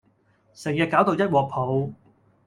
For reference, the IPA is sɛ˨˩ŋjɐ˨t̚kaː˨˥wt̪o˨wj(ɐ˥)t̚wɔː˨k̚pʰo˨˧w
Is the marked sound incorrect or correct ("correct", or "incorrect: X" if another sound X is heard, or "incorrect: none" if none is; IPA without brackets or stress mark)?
correct